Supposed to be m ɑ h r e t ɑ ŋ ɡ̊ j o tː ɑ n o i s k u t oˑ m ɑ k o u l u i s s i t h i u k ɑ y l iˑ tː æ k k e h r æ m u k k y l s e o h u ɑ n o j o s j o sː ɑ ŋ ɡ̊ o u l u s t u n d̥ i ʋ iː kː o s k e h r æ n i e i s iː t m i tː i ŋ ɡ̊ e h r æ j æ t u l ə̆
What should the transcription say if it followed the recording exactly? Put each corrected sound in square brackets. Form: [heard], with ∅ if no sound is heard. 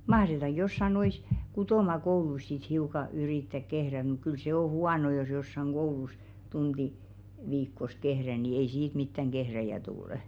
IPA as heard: m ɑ h r e t ɑ ŋ ɡ̊ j o [sː] ɑ n o i s k u t oˑ m ɑ k o u l u i s s i t h i u k ɑ y [r] iˑ tː æ k k e h r æ m u k k y l s e o h u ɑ n o j o s j o sː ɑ ŋ ɡ̊ o u l u s t u n d̥ i ʋ iː kː o s k e h r æ n i e i s iː t m i tː [æ] ŋ ɡ̊ e h r æ j æ t u l ə̆